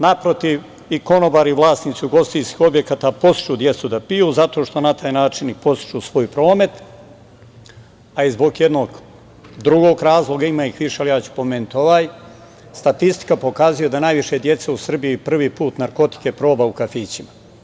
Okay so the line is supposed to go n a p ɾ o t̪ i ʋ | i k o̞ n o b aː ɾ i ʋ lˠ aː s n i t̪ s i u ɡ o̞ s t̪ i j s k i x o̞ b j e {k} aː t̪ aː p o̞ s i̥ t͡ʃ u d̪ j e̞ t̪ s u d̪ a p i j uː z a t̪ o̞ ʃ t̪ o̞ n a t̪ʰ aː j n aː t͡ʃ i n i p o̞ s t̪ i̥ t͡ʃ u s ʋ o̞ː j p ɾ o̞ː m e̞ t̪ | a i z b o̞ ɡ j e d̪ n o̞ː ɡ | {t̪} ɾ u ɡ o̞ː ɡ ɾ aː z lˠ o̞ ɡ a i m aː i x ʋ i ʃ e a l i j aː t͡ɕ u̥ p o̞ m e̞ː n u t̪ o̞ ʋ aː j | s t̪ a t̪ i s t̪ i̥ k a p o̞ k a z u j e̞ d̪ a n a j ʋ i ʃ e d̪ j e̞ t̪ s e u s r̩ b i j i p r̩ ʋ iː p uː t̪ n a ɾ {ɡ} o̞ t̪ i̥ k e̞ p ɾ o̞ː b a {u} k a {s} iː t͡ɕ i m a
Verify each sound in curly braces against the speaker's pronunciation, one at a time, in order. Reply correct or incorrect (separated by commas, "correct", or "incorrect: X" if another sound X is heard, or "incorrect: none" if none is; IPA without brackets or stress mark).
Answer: correct, incorrect: d̪, incorrect: k, correct, incorrect: f